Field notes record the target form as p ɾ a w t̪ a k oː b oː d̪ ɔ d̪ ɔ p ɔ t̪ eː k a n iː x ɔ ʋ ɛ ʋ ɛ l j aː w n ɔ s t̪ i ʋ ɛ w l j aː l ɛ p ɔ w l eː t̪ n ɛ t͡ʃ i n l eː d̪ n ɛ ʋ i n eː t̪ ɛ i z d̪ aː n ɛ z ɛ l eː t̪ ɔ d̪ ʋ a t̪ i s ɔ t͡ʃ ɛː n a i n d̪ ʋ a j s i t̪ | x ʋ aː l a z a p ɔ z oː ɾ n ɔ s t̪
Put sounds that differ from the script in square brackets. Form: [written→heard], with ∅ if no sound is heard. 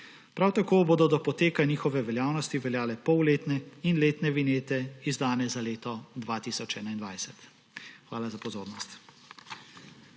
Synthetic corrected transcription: p ɾ a w t̪ a k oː b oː d̪ ɔ d̪ ɔ p ɔ t̪ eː k a n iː x ɔ ʋ ɛ ʋ ɛ l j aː w n ɔ s t̪ i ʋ ɛ [w→∅] l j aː l ɛ p ɔ w l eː t̪ n ɛ [t͡ʃ→∅] i n l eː [d̪→t̪] n ɛ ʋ i n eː t̪ ɛ i z d̪ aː n ɛ z [ɛ→a] l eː t̪ ɔ d̪ ʋ a t̪ i s ɔ t͡ʃ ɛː n a i n d̪ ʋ a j s [i→ɛ] t̪ | x ʋ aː l a z a p ɔ z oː ɾ n ɔ s t̪